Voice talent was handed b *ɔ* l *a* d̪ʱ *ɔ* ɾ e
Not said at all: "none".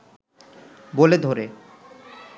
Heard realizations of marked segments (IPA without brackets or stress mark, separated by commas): o, e, o